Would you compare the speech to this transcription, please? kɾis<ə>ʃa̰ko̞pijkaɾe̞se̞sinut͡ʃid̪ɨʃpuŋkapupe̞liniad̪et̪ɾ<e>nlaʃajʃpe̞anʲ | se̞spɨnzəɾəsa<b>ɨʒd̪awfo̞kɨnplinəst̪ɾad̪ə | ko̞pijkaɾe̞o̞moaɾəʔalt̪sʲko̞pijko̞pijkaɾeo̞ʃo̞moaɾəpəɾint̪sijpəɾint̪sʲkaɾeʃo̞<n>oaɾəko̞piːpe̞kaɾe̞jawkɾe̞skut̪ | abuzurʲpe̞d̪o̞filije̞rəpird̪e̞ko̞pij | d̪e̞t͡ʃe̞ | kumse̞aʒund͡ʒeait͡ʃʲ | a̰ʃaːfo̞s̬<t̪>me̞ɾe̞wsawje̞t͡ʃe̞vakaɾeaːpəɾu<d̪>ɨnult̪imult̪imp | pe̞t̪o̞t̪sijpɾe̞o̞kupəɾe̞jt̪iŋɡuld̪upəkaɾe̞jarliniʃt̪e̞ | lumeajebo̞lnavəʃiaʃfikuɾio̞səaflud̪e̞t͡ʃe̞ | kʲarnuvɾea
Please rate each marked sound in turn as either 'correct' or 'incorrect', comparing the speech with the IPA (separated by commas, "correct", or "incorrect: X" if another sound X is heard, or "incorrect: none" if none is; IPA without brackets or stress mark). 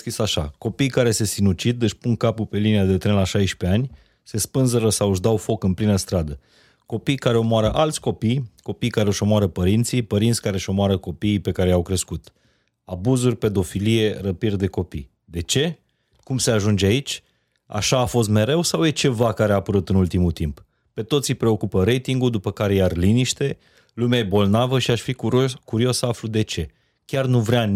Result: incorrect: a, correct, incorrect: w, incorrect: m, correct, incorrect: t̪